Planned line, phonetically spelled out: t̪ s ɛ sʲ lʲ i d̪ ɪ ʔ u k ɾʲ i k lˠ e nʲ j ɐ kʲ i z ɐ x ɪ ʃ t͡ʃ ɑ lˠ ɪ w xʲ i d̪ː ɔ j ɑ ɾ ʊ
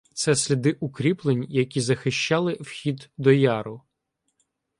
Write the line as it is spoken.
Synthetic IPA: t̪ s ɛ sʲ lʲ i d̪ ɪ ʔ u k ɾʲ i p lˠ e nʲ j ɐ kʲ i z ɐ x ɪ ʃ t͡ʃ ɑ lˠ ɪ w xʲ i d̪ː ɔ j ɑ ɾ ʊ